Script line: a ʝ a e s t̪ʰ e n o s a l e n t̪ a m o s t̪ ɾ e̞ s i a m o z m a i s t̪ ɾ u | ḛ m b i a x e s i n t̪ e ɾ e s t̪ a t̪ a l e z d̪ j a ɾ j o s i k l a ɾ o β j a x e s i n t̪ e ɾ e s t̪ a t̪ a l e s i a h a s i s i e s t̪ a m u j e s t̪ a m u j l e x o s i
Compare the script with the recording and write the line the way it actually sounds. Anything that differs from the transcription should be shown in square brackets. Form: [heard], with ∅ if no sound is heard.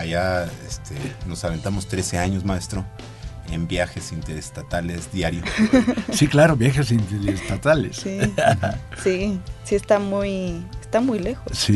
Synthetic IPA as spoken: a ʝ a e s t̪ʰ e n o s a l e n t̪ a m o s t̪ ɾ e̞ s [e] a [ɲ] o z m a [e] s t̪ ɾ [o] | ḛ m b [j] a x e s i n t̪ e ɾ e s t̪ a t̪ a l e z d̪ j a ɾ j o s i k l a ɾ o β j a x e s i n t̪ e ɾ e s t̪ a t̪ a l e s i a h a s i s i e s t̪ a m u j e s t̪ a m u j l e x o s i